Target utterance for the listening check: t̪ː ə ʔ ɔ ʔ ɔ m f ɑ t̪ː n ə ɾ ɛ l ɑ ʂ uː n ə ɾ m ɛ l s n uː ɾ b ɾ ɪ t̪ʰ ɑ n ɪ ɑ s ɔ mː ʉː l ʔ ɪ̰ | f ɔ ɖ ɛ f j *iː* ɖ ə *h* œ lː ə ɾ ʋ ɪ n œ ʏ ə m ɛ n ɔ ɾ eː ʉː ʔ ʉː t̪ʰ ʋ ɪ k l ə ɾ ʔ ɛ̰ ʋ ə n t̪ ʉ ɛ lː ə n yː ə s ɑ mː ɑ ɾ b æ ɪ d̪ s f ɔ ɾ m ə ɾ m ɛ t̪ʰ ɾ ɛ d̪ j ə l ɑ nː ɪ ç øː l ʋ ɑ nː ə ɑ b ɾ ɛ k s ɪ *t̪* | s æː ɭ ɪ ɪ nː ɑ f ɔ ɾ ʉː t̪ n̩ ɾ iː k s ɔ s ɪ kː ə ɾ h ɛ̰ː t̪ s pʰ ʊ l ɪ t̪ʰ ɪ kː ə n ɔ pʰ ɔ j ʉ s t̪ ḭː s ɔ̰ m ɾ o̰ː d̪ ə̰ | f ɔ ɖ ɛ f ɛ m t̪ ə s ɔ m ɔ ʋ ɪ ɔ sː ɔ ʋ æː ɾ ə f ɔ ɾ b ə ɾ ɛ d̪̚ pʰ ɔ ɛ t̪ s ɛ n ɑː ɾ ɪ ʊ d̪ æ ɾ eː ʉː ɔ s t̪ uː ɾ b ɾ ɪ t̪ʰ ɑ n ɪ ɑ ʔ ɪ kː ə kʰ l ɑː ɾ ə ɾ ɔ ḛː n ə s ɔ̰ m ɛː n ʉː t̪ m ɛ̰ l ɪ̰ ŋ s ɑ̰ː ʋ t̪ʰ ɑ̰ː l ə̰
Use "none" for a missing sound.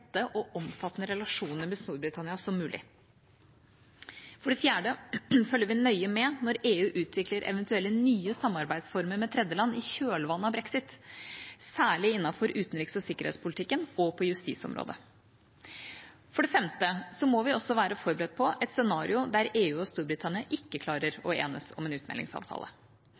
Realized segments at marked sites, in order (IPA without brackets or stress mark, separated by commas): æː, f, t̪